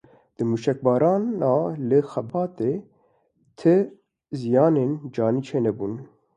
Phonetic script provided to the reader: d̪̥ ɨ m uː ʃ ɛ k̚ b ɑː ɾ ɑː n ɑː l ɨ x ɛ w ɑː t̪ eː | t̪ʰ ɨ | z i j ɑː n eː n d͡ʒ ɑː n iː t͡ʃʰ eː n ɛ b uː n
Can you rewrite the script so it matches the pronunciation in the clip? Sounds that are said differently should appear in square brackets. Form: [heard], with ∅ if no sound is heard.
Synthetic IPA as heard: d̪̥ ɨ m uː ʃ ɛ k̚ b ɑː ɾ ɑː n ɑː l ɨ x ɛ [b] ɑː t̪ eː | t̪ʰ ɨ | z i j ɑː n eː n d͡ʒ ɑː n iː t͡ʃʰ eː n ɛ b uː n